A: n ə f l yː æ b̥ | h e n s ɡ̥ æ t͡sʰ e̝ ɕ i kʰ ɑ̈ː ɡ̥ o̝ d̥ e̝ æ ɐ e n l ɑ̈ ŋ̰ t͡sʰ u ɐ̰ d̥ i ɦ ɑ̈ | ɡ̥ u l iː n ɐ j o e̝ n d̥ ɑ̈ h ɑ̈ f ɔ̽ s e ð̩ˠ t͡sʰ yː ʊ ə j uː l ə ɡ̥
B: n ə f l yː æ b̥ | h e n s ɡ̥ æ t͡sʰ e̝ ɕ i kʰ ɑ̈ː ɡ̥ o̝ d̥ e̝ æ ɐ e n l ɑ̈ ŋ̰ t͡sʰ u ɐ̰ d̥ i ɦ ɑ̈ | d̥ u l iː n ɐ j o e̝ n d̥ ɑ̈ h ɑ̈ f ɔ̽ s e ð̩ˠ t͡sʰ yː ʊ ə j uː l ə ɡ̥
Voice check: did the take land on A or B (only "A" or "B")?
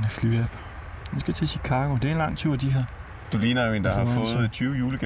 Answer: B